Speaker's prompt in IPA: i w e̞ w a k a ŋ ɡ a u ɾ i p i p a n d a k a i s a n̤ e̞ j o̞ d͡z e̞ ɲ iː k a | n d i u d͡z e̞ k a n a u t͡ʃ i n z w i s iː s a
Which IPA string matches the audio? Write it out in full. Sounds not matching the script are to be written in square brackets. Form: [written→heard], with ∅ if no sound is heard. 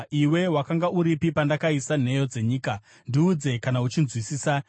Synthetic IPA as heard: i w e̞ w a k a ŋ ɡ a u ɾ i p i p a n d a k a i s a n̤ e̞ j o̞ d͡z e̞ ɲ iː k a | n d i u d͡z e̞ k a n a u t͡ʃ i n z w i s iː s a